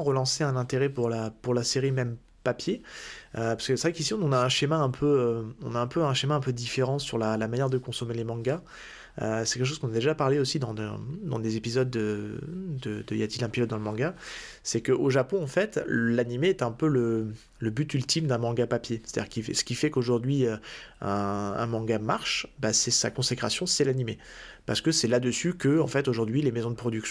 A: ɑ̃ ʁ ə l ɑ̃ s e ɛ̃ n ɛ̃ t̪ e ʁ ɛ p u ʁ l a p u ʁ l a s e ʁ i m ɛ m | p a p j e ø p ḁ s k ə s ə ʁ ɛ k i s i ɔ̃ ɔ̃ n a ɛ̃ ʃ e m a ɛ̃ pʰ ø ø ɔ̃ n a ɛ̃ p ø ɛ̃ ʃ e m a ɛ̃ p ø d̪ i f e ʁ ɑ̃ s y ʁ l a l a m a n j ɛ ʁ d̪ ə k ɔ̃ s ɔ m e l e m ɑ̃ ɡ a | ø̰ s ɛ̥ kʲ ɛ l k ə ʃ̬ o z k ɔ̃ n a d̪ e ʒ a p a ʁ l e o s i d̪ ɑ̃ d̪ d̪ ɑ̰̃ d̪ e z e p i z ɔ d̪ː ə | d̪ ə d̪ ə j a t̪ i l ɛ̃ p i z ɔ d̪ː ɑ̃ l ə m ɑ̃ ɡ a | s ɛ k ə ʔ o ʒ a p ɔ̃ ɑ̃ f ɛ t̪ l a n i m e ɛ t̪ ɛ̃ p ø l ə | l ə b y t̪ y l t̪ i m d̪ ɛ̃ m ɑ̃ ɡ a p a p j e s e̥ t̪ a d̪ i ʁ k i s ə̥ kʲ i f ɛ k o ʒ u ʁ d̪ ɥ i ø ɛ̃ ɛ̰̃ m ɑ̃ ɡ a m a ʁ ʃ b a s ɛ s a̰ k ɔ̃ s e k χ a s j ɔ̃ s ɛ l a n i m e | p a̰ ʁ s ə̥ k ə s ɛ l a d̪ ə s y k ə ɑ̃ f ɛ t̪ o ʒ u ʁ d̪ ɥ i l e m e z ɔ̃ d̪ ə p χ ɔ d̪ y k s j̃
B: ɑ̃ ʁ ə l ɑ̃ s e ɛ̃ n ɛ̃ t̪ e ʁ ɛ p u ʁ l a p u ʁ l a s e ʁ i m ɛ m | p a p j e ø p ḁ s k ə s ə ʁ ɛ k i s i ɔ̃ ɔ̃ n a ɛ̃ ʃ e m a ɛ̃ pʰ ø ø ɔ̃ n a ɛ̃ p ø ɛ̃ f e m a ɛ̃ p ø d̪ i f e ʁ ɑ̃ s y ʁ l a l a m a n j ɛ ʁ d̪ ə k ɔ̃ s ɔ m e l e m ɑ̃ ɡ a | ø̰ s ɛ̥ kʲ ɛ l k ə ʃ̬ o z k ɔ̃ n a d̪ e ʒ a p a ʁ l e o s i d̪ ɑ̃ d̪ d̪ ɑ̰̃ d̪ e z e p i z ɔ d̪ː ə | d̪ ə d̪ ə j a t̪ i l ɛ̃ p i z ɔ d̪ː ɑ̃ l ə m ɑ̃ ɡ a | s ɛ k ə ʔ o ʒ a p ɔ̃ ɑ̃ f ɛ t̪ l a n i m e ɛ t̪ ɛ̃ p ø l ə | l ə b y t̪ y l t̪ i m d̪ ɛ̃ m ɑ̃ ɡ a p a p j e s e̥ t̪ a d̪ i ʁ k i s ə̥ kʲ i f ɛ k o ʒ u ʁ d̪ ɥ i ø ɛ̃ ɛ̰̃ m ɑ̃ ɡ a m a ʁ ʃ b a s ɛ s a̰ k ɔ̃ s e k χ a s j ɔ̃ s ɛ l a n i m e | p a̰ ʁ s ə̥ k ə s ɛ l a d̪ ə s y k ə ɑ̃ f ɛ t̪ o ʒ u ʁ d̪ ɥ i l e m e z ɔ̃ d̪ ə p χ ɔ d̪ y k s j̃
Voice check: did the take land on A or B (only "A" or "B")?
A